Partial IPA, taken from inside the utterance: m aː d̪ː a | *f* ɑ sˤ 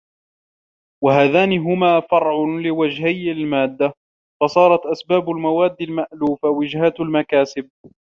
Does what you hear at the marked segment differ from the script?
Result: no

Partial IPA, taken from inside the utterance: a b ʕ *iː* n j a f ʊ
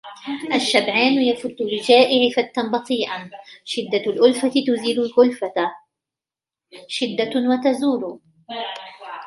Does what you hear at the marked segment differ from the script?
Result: yes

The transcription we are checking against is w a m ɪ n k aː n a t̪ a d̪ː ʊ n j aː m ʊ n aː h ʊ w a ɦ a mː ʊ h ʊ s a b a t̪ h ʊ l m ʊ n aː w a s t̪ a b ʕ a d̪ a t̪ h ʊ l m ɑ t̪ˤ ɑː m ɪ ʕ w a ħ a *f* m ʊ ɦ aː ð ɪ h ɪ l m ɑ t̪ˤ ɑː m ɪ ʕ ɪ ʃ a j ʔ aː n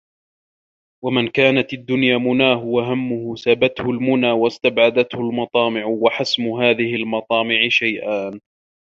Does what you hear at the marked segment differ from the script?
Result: yes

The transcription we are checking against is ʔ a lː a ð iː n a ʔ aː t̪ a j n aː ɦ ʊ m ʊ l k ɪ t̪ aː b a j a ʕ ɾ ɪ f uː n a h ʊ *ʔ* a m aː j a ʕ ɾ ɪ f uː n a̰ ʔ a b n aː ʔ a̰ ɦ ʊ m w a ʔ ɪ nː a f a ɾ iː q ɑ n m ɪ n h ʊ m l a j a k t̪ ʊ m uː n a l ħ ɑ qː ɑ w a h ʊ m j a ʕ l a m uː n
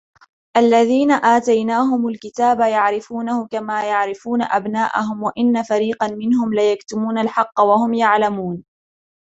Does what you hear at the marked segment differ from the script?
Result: yes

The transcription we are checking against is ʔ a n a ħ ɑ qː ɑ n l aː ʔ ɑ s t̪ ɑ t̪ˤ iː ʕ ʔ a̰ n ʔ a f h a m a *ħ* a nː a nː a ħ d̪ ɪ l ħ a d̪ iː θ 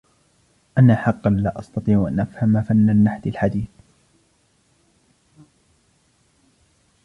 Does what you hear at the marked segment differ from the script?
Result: yes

